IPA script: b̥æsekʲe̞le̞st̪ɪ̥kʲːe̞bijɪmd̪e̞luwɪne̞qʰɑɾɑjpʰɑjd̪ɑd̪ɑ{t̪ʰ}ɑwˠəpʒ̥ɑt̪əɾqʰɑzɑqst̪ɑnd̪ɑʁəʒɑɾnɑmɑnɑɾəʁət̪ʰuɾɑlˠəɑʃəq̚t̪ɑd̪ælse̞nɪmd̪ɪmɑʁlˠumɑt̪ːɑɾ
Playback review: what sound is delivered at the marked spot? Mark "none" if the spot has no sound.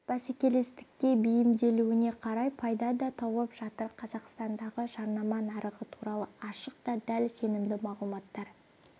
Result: t̪ʰ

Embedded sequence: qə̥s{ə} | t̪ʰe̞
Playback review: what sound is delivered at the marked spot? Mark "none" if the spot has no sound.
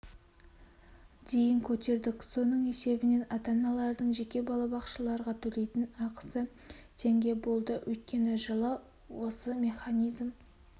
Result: ə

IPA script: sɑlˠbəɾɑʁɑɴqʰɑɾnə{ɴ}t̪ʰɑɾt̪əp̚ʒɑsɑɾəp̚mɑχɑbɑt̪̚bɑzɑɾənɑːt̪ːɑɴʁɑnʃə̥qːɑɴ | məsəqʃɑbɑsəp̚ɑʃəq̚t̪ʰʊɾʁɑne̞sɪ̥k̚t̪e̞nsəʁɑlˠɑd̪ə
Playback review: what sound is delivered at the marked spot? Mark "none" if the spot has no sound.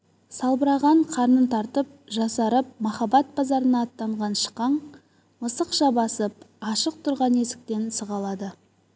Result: n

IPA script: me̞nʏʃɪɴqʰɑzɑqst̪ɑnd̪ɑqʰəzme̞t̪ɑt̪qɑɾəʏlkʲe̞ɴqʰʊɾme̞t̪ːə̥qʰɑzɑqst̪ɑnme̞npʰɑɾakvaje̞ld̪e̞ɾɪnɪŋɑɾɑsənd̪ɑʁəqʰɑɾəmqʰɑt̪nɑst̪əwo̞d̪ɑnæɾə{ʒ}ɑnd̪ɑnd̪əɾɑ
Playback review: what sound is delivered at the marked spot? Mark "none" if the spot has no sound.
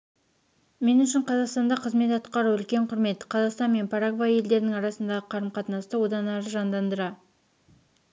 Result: ʒ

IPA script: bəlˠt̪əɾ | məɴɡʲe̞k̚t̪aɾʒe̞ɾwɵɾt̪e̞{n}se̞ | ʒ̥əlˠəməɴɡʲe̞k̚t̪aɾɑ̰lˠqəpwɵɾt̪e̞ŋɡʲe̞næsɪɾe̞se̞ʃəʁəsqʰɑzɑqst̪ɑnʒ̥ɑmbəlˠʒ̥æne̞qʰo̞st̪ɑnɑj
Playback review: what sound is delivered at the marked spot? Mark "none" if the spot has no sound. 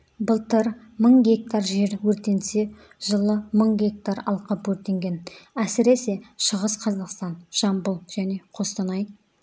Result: n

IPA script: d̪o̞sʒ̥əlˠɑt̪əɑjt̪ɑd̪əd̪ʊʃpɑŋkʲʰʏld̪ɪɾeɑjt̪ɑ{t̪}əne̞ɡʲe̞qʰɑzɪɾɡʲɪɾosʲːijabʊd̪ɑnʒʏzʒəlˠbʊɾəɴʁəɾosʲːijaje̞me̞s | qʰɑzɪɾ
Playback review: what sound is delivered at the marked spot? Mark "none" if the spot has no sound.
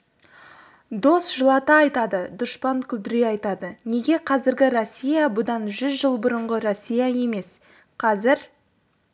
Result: d̪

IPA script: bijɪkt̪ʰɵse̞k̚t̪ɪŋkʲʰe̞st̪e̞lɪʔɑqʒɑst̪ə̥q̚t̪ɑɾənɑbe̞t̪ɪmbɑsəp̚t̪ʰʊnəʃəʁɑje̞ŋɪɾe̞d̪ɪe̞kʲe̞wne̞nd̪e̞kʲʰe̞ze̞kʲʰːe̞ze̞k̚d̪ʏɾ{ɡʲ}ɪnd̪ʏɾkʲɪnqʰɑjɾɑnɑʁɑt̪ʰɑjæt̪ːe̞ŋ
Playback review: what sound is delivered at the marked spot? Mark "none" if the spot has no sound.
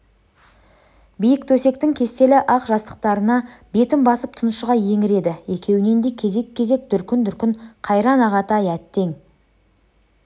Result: kʲ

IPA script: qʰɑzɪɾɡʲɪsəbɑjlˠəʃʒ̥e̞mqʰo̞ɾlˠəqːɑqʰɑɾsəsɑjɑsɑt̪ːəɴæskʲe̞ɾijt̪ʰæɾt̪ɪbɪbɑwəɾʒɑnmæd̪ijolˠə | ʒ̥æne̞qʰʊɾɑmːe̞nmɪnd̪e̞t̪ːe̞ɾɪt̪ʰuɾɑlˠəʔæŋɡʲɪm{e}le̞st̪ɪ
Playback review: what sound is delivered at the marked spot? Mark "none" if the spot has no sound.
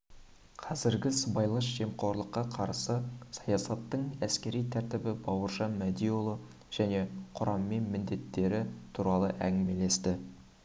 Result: e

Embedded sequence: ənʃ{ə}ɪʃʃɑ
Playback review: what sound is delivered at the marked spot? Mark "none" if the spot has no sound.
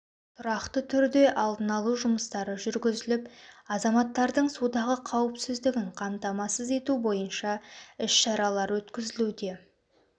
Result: ɑ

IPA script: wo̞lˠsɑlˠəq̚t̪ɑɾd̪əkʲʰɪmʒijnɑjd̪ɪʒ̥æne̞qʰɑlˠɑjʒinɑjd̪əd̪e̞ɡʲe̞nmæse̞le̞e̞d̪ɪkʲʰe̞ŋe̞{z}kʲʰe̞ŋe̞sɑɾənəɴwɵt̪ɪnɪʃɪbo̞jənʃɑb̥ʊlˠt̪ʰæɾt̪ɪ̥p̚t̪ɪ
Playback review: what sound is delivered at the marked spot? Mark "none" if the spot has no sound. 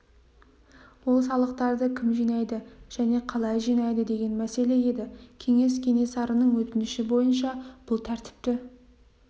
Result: s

